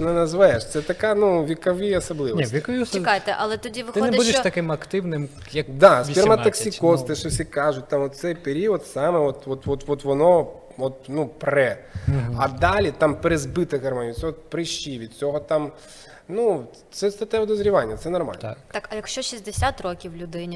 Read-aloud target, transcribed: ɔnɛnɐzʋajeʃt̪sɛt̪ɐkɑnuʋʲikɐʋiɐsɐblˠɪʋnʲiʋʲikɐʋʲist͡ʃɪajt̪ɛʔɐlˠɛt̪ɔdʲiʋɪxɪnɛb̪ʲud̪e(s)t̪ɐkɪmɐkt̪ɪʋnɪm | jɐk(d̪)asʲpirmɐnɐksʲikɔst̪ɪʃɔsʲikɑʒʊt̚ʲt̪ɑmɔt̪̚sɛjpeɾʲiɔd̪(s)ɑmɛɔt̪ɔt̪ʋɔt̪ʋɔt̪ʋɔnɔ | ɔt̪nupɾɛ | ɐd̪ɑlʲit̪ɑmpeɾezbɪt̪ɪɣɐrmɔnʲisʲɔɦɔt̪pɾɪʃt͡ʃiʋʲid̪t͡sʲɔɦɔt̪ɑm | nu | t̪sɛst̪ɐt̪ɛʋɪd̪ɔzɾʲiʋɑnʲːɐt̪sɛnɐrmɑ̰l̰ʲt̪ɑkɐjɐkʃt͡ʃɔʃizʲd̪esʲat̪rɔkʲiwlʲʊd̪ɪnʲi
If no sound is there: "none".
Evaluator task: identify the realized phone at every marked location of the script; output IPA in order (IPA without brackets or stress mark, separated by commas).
ʃ, d̪, s